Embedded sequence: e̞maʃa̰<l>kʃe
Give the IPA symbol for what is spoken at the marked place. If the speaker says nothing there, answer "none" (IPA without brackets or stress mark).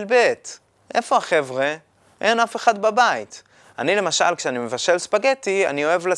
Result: l